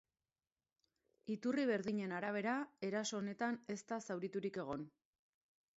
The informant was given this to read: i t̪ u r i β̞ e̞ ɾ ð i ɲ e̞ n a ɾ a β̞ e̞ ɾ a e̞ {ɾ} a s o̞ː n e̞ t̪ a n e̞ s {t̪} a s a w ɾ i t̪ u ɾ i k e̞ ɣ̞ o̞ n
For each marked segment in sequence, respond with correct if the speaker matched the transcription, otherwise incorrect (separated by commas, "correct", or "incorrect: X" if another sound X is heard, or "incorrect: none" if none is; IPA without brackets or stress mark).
correct, correct